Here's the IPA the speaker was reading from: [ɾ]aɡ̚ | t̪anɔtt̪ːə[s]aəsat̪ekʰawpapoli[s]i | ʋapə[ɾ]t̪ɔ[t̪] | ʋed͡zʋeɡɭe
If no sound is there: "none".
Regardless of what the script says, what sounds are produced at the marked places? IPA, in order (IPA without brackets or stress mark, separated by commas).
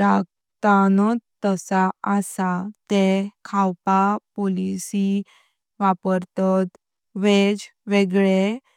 ɾ, s, s, ɾ, t̪